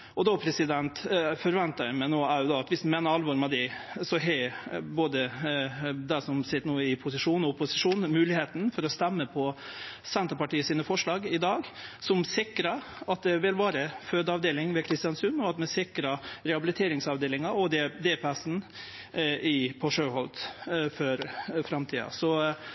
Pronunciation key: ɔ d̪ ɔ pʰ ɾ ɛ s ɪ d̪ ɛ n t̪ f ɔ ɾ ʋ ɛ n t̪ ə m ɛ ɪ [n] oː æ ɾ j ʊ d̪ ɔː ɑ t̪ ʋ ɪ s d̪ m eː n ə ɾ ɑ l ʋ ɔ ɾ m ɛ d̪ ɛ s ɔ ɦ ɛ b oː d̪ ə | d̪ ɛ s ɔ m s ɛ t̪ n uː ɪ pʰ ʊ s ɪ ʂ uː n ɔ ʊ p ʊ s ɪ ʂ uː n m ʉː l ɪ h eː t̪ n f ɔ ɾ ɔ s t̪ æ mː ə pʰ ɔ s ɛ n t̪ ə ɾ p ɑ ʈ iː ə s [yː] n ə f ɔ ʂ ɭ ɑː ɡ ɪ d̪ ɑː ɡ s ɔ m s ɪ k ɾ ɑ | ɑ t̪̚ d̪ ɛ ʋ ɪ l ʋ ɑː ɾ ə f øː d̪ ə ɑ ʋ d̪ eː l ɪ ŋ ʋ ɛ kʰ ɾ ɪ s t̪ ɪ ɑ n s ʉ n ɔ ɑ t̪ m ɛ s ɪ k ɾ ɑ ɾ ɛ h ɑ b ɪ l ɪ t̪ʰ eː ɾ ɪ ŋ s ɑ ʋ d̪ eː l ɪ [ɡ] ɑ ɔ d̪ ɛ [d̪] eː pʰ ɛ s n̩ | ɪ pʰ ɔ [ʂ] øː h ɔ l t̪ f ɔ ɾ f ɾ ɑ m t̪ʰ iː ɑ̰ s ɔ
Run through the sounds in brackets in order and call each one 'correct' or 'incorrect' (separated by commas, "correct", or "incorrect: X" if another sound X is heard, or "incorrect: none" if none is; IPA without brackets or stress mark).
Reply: correct, incorrect: iː, incorrect: ŋ, correct, correct